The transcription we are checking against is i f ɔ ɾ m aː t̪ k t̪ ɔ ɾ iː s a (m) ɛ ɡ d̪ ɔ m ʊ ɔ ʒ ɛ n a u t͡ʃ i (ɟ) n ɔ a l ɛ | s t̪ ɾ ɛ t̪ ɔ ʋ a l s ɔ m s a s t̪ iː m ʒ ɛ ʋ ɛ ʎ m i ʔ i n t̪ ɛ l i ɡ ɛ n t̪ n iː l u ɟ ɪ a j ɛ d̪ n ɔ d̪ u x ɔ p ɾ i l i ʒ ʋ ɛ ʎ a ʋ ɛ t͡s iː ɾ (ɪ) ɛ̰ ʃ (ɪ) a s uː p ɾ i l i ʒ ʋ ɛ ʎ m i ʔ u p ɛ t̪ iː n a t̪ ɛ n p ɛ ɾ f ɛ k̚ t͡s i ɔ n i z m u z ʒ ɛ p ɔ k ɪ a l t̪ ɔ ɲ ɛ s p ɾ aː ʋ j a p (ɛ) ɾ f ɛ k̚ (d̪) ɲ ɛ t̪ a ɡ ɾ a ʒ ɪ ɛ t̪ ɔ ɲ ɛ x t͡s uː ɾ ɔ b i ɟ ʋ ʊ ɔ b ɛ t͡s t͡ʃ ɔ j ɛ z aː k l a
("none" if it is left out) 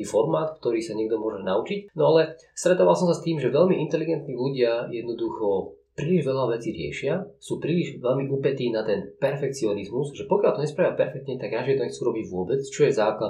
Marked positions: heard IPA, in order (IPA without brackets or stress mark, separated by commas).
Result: ɲ, c, ɪ, ɪ, ɛ, t̪